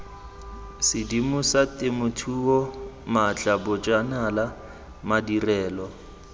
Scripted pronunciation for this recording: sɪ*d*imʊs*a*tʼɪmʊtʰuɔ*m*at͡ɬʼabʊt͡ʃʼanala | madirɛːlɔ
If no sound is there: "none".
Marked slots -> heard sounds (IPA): d, a, m

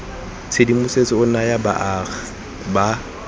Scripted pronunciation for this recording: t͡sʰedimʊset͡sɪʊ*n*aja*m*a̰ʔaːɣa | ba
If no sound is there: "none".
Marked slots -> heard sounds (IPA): n, b

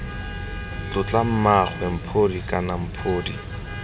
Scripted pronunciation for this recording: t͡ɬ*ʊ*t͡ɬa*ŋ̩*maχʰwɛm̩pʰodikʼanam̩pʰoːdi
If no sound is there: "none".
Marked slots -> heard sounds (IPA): ʊ, m̩

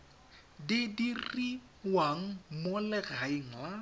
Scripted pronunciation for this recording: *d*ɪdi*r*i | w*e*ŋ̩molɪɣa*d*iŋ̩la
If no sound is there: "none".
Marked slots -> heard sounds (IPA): d, r, a, none

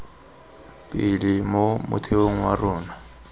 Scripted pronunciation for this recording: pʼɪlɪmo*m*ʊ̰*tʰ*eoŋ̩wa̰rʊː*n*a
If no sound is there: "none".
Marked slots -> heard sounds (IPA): m, tʰ, n

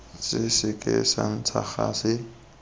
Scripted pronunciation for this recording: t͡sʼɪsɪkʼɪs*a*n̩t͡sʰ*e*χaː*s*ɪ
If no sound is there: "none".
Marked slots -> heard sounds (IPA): a, a, s

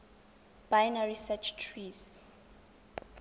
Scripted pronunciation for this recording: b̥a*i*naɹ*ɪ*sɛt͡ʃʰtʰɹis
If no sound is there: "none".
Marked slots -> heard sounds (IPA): j, i

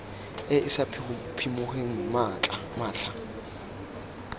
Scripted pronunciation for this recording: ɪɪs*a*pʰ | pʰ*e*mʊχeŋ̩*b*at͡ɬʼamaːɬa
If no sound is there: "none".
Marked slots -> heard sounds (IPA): a, i, m

